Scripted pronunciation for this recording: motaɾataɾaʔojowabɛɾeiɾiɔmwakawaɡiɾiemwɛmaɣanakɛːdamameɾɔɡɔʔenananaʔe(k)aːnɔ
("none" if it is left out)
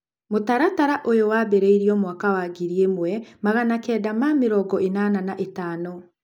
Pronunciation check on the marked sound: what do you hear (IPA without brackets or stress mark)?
t